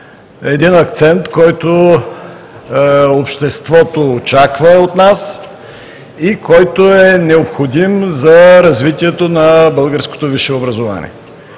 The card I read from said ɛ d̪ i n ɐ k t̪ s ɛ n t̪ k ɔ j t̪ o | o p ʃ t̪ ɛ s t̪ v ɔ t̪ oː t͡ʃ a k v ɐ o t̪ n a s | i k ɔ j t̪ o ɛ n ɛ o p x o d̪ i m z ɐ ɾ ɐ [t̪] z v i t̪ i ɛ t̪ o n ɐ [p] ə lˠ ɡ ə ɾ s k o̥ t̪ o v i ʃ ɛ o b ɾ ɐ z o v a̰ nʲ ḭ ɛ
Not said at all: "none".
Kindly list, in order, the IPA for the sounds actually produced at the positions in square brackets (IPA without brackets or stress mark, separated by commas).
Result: none, b